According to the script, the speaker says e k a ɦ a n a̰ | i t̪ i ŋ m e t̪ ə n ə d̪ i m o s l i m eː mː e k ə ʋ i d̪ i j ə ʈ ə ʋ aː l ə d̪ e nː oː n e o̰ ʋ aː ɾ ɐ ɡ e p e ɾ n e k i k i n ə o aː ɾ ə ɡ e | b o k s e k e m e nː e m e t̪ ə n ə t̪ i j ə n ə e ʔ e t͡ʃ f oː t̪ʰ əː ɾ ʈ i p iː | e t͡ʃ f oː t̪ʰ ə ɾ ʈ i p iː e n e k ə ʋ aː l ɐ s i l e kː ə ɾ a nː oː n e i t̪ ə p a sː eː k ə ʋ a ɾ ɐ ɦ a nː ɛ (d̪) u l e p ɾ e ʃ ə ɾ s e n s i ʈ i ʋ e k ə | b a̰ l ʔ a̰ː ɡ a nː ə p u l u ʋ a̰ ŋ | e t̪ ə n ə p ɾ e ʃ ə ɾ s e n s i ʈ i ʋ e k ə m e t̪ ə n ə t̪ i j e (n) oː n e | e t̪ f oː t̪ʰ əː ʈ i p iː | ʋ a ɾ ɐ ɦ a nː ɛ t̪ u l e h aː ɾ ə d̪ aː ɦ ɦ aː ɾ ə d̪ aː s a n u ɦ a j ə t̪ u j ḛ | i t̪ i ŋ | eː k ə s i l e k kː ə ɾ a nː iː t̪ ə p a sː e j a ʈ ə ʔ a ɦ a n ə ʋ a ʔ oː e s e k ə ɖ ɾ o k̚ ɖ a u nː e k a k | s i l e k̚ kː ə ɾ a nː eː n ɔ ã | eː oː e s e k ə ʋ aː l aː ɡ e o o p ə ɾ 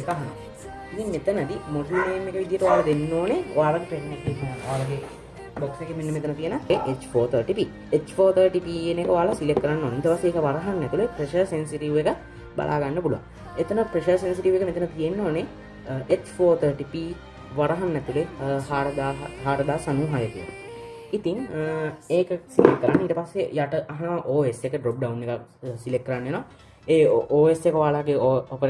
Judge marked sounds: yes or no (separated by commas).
no, no